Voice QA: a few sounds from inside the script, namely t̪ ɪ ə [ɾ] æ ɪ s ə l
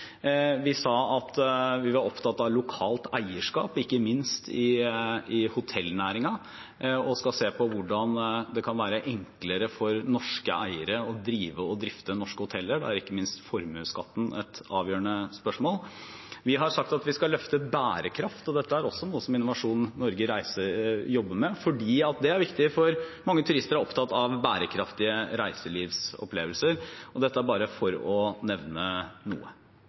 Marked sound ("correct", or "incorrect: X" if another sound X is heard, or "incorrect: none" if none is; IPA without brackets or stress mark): correct